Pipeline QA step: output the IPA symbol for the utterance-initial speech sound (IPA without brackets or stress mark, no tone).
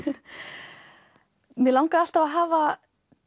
m